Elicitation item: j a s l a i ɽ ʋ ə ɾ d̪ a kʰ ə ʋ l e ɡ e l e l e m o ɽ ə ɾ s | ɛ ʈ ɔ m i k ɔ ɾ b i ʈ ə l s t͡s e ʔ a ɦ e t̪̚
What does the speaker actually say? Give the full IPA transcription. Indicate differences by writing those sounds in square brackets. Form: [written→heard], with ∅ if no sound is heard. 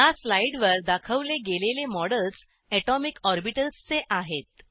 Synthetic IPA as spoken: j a s l a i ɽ ʋ ə ɾ d̪ a kʰ ə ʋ l e ɡ e l e l e m [o→ɔ] ɽ ə [ɾ→l] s | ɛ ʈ ɔ m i k ɔ ɾ b i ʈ ə l s t͡s e ʔ a ɦ e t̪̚